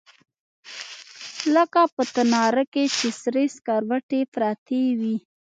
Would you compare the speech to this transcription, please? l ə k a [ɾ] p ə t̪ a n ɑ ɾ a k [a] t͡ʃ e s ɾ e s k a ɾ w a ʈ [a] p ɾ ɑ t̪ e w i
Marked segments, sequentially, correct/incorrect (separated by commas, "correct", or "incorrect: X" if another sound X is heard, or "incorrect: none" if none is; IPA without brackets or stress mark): incorrect: none, incorrect: e, incorrect: e